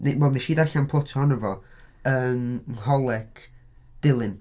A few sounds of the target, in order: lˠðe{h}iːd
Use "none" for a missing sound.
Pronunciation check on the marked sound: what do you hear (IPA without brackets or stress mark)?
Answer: ʃ